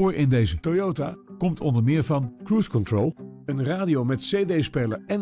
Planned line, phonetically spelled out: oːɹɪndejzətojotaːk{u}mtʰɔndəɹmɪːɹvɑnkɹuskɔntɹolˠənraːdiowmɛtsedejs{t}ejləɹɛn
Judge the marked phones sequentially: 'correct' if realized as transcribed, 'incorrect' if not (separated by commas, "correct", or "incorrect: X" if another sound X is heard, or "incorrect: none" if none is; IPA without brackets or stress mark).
incorrect: ɔ, incorrect: p